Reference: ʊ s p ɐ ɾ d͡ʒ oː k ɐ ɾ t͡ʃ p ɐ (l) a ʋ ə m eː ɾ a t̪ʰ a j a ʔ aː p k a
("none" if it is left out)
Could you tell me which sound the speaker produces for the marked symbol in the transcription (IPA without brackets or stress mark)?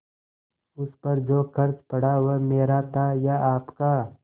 ɽ